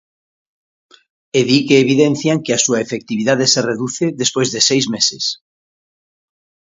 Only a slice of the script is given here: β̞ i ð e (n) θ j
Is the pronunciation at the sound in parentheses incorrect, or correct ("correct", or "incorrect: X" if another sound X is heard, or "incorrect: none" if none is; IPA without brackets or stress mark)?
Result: correct